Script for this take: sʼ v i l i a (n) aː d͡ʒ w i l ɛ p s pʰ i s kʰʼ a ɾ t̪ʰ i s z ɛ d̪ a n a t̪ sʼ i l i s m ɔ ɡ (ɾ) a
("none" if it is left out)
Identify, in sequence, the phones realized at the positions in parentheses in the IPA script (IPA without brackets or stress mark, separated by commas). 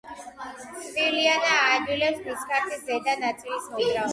n, ɾ